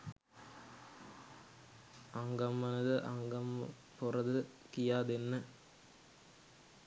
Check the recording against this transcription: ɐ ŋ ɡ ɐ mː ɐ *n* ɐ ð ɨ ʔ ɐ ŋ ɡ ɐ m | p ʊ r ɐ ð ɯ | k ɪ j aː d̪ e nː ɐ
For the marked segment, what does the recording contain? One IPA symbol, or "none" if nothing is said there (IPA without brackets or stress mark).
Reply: n